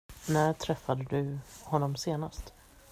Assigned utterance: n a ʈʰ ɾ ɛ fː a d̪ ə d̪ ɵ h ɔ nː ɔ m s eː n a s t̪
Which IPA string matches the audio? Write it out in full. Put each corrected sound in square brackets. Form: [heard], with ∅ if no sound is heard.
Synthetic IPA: n [æ] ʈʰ ɾ ɛ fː a d̪ ə d̪ ɵ h ɔ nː ɔ m s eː n a s t̪